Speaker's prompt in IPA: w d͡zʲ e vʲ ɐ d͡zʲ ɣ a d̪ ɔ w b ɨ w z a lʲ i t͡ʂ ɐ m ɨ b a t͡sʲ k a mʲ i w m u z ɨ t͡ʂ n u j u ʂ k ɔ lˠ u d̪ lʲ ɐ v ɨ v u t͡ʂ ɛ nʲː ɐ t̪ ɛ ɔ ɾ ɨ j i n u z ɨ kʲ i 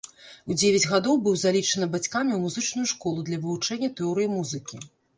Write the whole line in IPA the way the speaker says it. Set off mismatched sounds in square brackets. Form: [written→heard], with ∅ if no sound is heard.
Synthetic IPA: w d͡zʲ e vʲ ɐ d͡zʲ ɣ a d̪ ɔ w b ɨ w z a lʲ i t͡ʂ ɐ [m→n] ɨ b a t͡sʲ k a mʲ i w m u z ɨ t͡ʂ n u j u ʂ k ɔ lˠ u d̪ lʲ ɐ v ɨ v u t͡ʂ ɛ nʲː ɐ t̪ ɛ ɔ ɾ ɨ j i [n→m] u z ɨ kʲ i